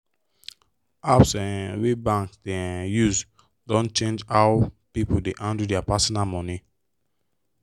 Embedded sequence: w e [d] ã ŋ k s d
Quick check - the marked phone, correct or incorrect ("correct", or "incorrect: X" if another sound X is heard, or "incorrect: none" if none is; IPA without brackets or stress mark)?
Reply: incorrect: b